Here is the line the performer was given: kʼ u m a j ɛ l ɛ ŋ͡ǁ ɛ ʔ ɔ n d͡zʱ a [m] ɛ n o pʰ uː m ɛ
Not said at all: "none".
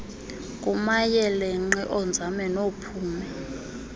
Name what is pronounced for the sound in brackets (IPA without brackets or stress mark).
m